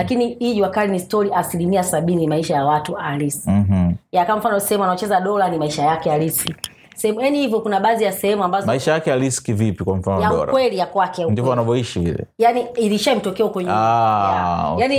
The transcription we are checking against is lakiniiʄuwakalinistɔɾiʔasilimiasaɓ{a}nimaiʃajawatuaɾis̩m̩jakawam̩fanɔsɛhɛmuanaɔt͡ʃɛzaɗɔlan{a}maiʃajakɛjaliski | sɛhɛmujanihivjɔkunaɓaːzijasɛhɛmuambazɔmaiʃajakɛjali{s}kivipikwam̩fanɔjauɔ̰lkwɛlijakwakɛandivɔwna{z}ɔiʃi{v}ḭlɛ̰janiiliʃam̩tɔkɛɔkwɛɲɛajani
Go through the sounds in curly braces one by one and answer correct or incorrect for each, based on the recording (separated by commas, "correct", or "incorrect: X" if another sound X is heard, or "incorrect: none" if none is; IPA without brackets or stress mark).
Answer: incorrect: i, incorrect: i, correct, incorrect: v, correct